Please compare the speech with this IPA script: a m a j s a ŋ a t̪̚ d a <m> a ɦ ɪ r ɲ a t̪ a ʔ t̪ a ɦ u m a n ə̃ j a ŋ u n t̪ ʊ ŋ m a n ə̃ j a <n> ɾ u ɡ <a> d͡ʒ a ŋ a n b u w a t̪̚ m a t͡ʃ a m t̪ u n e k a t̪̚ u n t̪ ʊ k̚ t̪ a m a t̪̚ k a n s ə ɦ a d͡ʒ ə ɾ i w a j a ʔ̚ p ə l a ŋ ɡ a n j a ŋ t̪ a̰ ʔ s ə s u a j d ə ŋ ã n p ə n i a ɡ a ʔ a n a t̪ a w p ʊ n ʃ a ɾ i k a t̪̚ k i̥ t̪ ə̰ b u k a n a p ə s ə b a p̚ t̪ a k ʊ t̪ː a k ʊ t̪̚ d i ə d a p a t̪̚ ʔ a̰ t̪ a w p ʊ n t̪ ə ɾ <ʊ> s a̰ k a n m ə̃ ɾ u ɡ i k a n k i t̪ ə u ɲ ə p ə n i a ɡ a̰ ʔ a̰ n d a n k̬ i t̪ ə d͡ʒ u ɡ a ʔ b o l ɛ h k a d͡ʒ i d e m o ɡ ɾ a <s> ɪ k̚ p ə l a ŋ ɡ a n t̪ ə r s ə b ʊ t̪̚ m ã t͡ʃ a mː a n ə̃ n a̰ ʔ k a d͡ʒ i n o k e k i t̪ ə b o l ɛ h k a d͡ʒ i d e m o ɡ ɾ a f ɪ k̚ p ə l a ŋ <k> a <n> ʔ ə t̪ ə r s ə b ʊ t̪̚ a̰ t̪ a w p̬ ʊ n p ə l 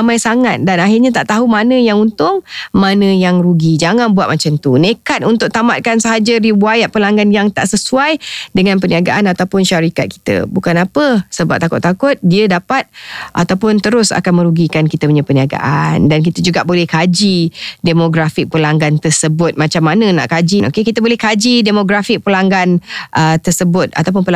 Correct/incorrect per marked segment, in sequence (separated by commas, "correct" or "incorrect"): incorrect, incorrect, incorrect, correct, incorrect, incorrect, correct